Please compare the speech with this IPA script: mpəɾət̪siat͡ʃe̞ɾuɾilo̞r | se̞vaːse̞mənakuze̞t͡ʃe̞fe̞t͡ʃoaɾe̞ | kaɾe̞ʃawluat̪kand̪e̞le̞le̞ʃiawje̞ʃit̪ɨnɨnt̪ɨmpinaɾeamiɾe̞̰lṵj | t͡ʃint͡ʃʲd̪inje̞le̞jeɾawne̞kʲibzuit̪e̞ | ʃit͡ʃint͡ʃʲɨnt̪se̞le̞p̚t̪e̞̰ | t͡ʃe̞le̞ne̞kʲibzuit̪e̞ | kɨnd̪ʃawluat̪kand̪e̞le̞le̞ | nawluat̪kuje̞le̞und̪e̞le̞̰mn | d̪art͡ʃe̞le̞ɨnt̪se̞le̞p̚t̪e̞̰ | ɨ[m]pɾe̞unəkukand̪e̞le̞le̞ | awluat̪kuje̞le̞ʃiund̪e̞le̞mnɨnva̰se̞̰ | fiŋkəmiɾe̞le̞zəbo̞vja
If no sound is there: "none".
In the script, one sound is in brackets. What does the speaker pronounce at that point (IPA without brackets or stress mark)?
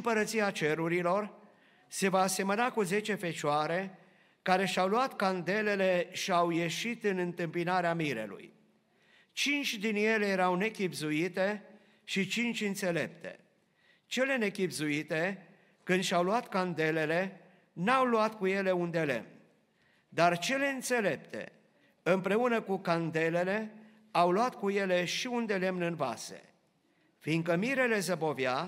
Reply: m